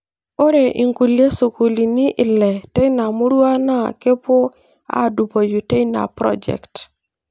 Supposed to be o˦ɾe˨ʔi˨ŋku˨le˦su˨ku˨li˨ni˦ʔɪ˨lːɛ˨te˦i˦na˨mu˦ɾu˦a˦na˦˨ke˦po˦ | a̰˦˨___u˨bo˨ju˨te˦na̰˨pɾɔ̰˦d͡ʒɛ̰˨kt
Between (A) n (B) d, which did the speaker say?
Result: B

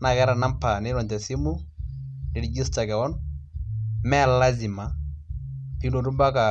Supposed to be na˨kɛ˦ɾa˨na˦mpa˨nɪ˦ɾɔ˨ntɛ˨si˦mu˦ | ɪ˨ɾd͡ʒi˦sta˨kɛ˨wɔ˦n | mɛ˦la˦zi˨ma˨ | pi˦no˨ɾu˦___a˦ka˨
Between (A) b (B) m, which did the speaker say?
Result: A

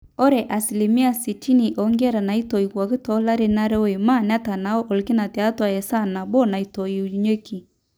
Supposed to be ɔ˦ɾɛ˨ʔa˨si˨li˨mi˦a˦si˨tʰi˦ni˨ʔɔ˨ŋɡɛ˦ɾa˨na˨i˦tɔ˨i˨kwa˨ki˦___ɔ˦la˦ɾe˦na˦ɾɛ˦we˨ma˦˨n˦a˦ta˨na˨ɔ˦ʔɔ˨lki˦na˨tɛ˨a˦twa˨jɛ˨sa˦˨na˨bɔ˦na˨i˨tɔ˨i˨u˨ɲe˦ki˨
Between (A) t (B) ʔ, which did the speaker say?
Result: A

